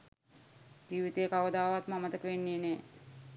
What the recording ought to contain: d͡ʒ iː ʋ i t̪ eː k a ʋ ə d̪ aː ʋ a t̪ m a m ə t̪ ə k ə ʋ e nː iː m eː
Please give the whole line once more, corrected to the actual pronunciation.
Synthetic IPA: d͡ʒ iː ʋ i t̪ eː k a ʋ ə d̪ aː ʋ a t̪ m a m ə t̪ ə k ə ʋ e nː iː n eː